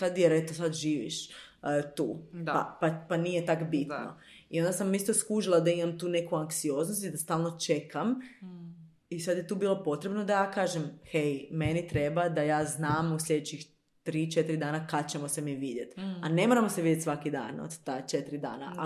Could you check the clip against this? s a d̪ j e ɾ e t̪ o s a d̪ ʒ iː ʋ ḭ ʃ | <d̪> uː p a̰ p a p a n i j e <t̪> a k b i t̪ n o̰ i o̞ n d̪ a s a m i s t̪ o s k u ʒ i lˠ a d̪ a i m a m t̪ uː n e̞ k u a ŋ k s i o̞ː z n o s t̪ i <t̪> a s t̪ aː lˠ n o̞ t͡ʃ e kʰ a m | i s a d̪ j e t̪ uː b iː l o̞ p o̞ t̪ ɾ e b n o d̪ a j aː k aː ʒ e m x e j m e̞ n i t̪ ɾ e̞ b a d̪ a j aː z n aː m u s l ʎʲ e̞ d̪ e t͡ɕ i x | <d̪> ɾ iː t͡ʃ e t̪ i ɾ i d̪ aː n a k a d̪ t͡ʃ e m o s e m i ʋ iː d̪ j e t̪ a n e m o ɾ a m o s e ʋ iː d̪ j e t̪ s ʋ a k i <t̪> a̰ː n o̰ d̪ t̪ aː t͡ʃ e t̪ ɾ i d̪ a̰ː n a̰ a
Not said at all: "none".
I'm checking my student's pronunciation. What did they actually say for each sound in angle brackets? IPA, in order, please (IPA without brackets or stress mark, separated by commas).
t̪, t̪, d̪, t̪, d̪